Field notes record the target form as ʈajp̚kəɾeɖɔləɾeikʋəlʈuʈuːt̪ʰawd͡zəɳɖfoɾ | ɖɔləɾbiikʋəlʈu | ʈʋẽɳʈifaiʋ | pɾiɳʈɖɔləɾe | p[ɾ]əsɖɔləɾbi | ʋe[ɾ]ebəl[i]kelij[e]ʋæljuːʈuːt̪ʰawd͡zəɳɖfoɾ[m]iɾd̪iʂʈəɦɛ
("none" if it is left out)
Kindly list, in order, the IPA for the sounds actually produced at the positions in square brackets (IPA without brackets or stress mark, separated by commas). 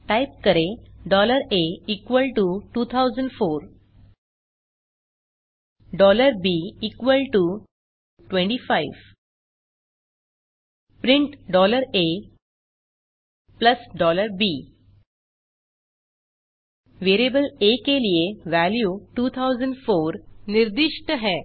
l, ɾ, e, e, n